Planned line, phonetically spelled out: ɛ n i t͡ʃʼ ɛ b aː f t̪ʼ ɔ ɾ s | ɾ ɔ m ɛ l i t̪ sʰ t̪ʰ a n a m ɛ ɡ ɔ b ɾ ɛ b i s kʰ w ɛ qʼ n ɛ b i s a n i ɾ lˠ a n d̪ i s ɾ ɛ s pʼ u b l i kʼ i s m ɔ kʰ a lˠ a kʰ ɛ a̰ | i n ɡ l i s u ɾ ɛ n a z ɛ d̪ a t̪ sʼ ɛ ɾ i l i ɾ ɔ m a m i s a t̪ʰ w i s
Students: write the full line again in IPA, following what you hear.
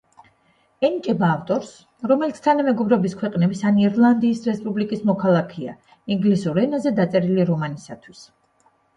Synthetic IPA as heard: ɛ n i t͡ʃʼ ɛ b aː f t̪ʼ ɔ ɾ s | ɾ ɔ m ɛ l i t̪ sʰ t̪ʰ a n a m ɛ ɡ ɔ b ɾ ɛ b i s kʰ w ɛ qʼ n ɛ b i s a n i ɾ lˠ a n d̪ iː s ɾ ɛ s pʼ u b l i kʼ i s m ɔ kʰ a lˠ a kʰ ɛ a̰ | i ŋ ɡ l i s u ɾ ɛ n a z ɛ d̪ a t̪ sʼ ɛ ɾ i l i ɾ ɔ m a n i s a t̪ʰ w i s